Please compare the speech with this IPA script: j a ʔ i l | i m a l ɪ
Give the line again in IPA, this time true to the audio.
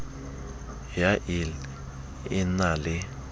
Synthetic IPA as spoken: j a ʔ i l | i n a l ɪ

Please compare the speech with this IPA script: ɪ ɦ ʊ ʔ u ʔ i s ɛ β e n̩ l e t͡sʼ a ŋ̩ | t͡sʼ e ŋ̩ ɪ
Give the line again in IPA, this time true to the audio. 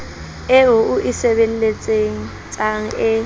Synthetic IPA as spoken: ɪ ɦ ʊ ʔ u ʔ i s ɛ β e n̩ l e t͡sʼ e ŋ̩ | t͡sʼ a ŋ̩ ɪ

